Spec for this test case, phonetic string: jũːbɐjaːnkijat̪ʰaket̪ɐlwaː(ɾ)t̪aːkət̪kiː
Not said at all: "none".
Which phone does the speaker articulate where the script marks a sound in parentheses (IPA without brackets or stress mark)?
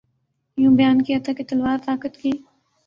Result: ɾ